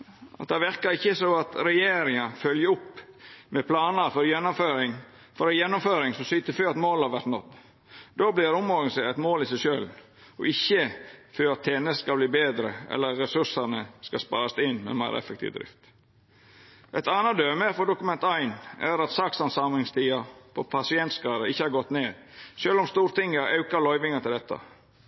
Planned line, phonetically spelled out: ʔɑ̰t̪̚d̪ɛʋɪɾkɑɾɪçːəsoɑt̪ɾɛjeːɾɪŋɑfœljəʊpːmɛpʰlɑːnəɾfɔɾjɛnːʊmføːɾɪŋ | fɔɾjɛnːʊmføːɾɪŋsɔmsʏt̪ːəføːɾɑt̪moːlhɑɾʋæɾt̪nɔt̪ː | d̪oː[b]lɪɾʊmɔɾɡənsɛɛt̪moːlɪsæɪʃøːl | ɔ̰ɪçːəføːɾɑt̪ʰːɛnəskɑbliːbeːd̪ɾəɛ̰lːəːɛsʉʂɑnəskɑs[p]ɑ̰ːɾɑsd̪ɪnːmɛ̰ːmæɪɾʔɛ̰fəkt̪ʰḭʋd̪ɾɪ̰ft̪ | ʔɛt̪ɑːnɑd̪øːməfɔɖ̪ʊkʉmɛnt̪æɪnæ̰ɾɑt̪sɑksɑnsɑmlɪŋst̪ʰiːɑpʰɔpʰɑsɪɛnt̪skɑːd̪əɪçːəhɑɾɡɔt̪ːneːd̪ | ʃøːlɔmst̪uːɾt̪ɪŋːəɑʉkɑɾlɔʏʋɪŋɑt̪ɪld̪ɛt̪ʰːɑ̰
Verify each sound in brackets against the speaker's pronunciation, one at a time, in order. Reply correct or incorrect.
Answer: correct, correct

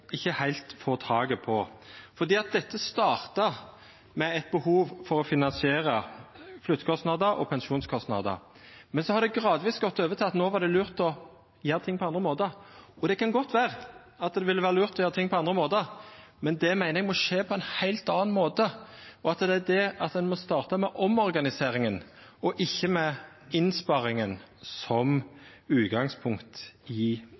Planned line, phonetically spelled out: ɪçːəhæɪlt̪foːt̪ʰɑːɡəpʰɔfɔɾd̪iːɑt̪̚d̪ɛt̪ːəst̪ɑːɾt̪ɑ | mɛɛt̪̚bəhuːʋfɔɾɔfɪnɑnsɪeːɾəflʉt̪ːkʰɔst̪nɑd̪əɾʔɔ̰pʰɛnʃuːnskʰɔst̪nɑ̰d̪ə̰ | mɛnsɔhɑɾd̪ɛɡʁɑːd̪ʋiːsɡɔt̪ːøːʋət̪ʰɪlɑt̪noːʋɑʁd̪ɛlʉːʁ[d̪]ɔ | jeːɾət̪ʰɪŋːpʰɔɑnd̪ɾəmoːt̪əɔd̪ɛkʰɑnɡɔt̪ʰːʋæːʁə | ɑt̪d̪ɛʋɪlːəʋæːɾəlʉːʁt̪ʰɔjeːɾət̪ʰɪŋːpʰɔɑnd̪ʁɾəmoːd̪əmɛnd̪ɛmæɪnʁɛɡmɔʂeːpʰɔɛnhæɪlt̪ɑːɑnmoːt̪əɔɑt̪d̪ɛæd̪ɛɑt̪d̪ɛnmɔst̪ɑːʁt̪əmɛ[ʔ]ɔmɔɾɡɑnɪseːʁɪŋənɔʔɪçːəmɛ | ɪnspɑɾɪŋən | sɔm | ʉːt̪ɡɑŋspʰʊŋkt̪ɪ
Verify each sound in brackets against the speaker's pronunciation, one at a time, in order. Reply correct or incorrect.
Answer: incorrect: t̪, correct

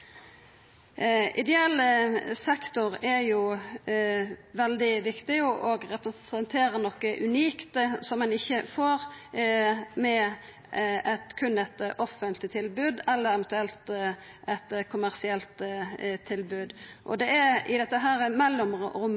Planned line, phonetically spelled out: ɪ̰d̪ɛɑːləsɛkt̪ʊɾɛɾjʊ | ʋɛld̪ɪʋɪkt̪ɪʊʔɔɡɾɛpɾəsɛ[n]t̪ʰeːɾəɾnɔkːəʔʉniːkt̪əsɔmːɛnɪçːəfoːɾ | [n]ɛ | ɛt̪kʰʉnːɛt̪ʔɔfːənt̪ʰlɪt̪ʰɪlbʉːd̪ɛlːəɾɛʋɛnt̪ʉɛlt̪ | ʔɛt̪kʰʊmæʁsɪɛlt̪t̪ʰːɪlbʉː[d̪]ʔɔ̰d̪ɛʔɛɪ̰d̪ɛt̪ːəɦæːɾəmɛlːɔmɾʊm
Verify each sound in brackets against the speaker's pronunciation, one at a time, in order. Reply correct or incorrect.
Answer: correct, incorrect: m, correct

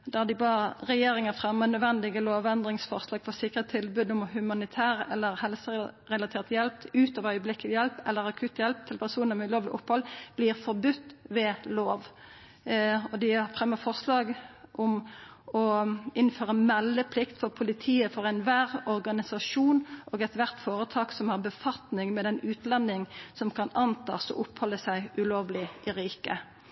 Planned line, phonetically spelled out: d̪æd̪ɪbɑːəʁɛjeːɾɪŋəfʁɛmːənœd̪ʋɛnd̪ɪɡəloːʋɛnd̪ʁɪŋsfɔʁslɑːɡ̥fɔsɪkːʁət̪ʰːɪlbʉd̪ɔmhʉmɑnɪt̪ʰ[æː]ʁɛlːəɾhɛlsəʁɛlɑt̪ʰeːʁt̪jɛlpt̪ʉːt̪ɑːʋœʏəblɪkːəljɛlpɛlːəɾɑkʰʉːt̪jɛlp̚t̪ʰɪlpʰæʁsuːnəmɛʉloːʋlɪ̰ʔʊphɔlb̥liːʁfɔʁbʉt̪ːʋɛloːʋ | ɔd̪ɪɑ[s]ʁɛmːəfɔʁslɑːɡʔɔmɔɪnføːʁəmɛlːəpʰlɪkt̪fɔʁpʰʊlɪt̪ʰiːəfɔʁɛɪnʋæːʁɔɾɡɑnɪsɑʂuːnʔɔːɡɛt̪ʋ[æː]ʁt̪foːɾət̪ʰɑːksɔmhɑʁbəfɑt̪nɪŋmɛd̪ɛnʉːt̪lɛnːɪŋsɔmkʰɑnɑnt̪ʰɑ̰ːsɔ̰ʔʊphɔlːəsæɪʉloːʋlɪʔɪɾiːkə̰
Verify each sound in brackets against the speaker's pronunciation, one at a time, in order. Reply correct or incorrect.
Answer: correct, incorrect: f, incorrect: æ

